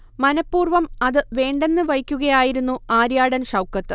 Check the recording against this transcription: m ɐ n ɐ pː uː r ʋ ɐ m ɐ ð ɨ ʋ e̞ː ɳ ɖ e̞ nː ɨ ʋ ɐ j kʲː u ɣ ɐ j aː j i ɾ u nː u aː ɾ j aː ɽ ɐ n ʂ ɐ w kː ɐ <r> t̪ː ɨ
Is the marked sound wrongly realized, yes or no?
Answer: yes